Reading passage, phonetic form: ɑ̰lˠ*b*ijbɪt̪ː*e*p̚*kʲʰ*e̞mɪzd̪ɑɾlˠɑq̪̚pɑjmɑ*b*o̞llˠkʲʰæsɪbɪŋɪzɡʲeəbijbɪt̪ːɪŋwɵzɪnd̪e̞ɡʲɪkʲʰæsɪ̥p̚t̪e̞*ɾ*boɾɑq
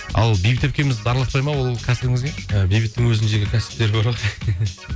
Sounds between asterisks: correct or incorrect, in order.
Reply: correct, correct, incorrect: kʲ, incorrect: w, correct

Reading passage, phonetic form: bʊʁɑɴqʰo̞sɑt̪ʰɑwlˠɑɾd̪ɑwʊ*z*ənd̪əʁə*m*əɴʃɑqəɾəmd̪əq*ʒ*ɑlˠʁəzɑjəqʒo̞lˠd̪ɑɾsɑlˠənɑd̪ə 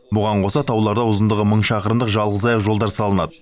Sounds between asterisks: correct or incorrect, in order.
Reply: correct, correct, correct

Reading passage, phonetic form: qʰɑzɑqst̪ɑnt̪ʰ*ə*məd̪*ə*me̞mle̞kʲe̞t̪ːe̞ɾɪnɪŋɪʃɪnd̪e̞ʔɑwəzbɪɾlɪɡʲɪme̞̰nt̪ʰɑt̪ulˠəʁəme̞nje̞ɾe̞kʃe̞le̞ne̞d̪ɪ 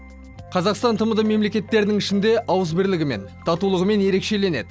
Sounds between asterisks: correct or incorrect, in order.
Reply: correct, correct

